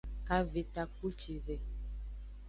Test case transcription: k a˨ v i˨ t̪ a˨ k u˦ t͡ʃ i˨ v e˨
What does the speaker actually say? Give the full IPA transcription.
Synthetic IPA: k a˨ v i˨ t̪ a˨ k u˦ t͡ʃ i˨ v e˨